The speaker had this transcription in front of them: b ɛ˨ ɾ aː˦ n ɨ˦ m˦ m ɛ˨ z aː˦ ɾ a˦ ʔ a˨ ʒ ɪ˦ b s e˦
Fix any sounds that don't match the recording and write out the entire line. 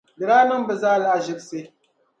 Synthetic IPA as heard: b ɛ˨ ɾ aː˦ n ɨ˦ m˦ b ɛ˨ z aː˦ l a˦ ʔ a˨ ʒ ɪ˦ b s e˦